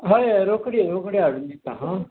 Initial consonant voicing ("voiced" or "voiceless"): voiced